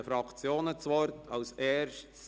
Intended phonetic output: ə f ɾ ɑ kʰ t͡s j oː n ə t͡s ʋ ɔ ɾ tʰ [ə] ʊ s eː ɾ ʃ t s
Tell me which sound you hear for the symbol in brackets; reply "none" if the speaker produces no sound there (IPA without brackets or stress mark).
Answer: ɑ